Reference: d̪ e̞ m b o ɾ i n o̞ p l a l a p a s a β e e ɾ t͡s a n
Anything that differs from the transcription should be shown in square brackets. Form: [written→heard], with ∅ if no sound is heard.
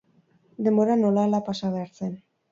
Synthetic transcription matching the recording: d̪ e̞ m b o ɾ [i→a] n o̞ [p→∅] l a l a p a s a β e [e→a] ɾ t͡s [a→e] n